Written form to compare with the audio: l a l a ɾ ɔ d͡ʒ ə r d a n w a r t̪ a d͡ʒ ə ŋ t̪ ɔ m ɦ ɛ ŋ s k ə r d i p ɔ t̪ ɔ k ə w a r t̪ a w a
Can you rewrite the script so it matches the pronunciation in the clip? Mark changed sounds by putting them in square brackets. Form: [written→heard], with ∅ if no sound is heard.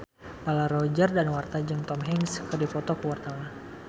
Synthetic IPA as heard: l a l a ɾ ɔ d͡ʒ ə r d a n w a r t̪ a d͡ʒ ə ŋ t̪ ɔ m ɦ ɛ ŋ s k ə r d i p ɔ t̪ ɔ k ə w a r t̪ a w a